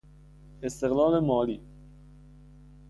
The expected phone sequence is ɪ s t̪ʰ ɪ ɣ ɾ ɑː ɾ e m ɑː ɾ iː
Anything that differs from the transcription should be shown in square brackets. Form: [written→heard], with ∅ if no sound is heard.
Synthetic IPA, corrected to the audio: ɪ s [t̪ʰ→t̪] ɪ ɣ [ɾ→l] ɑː [ɾ→l] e m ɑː [ɾ→l] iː